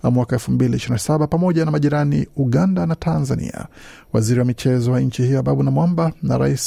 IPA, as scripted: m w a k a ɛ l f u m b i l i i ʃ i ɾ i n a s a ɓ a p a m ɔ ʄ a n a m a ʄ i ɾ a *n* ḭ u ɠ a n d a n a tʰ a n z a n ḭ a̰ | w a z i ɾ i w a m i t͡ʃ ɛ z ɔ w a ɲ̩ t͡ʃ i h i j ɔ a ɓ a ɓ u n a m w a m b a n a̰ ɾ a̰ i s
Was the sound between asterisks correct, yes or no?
yes